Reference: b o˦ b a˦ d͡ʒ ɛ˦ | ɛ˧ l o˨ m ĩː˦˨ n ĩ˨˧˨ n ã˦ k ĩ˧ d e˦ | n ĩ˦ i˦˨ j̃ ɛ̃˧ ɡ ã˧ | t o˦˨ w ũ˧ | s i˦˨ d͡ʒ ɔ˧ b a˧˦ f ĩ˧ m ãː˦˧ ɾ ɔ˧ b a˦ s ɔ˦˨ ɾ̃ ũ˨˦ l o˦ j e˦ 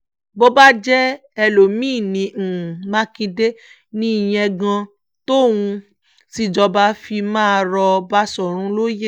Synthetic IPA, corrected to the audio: b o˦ b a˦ d͡ʒ ɛ˦ | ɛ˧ l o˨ m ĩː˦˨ n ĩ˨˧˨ m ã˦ k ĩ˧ d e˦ | n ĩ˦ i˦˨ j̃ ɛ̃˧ ɡ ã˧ | t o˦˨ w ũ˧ | s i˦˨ d͡ʒ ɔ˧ b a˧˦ f i˧ m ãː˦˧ ɾ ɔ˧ b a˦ s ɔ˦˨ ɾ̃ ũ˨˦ l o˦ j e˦